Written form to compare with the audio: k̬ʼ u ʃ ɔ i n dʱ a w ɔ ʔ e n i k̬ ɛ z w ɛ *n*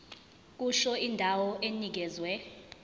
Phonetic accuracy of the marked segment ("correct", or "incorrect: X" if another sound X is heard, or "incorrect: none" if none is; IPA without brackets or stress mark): incorrect: none